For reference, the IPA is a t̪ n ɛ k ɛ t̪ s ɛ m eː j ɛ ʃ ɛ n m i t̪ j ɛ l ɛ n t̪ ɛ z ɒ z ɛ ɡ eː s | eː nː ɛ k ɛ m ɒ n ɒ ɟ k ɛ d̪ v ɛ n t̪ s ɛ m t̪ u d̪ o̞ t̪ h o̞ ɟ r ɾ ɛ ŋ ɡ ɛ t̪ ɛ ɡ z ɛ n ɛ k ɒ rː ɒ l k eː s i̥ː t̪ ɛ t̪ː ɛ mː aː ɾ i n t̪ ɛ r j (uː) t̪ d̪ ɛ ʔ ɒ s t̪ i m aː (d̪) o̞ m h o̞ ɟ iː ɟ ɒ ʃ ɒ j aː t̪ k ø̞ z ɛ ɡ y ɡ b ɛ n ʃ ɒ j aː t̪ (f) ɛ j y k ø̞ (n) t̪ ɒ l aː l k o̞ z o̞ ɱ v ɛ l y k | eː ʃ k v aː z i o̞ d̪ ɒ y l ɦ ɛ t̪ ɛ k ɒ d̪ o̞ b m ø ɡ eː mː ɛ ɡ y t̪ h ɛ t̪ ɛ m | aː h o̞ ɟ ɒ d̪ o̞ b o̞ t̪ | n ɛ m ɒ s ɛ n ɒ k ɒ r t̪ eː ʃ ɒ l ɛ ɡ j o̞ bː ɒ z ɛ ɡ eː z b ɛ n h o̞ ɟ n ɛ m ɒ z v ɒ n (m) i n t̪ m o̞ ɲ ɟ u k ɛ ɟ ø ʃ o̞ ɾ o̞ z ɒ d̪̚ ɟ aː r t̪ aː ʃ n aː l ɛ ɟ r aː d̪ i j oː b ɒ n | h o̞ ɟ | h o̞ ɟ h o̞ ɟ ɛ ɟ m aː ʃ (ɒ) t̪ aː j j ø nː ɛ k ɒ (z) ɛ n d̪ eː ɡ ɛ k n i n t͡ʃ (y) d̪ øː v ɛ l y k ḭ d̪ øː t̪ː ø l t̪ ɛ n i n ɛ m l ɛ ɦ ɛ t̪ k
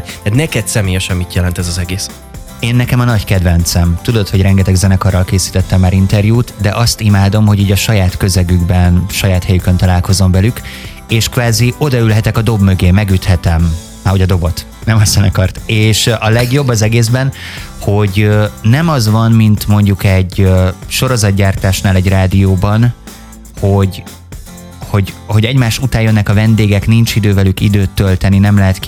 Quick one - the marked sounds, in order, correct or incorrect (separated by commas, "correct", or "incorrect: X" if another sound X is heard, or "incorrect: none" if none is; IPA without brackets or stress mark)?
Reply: correct, correct, incorrect: h, correct, correct, incorrect: u, incorrect: v, incorrect: i